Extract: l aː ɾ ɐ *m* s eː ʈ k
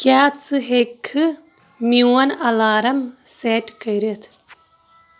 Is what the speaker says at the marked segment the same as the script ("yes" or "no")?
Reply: yes